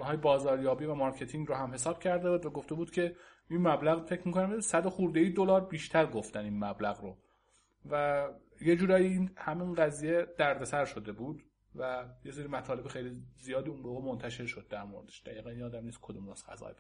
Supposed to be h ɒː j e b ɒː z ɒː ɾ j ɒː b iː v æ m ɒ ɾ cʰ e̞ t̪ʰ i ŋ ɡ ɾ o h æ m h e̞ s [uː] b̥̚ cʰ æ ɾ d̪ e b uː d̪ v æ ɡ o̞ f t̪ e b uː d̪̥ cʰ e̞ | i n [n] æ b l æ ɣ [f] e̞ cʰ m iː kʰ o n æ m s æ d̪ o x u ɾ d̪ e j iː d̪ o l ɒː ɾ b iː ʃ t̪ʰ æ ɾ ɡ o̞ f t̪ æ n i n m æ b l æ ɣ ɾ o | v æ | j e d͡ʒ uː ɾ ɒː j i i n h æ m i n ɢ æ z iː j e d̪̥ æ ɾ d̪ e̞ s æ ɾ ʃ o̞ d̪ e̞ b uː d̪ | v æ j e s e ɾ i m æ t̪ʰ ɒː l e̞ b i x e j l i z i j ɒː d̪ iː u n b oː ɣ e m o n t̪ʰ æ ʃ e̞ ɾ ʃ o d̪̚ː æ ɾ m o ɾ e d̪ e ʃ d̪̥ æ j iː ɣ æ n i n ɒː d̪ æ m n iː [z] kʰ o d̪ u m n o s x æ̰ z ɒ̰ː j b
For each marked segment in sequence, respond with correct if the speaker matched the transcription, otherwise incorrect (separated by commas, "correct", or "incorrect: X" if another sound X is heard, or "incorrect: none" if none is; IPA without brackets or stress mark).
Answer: incorrect: ɒː, incorrect: m, correct, incorrect: s